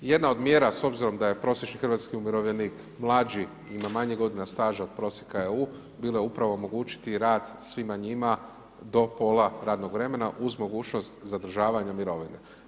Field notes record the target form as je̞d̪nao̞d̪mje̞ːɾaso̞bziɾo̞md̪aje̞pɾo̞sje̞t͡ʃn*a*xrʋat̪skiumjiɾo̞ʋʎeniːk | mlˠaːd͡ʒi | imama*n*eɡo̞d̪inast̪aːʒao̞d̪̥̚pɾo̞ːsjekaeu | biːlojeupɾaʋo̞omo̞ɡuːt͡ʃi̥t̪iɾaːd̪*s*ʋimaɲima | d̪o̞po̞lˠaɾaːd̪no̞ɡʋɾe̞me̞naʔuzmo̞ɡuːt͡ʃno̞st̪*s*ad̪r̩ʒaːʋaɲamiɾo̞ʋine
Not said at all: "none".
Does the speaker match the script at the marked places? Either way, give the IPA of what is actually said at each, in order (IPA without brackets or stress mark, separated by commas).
i, ɲ, s, z